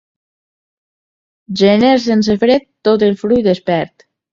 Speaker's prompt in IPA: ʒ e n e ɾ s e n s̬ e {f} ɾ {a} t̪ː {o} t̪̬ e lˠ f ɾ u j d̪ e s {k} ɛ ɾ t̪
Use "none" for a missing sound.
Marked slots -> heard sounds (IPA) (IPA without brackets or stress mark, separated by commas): f, e, o, p